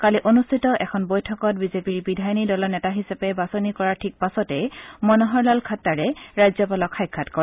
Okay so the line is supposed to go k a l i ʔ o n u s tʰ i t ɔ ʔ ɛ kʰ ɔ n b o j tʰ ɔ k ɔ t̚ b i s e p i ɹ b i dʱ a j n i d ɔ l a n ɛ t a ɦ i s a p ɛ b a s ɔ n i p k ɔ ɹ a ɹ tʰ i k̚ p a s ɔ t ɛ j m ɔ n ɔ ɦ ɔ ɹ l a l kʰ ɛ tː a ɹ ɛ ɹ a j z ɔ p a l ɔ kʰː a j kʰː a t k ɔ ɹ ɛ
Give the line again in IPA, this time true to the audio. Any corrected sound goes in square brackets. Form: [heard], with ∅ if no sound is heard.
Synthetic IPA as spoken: k a l i ʔ o n u s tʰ i t ɔ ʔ ɛ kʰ ɔ n b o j tʰ ɔ k ɔ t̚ b i [z] e p i ɹ b i dʱ a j n i d ɔ l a n ɛ t a ɦ i s a p ɛ b a s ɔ n i [∅] k ɔ ɹ a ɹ tʰ i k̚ p a s ɔ t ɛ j m ɔ n ɔ ɦ ɔ ɹ l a l kʰ [a] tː a ɹ ɛ ɹ a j z ɔ p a l ɔ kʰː a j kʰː a t k ɔ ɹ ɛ